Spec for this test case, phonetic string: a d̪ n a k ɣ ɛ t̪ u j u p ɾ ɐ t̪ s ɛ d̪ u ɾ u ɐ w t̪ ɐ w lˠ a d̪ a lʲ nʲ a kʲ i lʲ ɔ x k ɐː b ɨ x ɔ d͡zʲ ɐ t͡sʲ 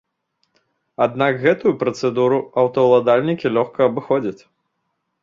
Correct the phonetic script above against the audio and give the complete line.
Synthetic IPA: a d̪ n a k ɣ ɛ t̪ u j u p ɾ ɐ t̪ s ɛ d̪ u ɾ u ɐ w t̪ ɐ w lˠ a d̪ a lʲ nʲ i kʲ i lʲ ɔ x k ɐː b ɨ x ɔ d͡zʲ ɐ t͡sʲ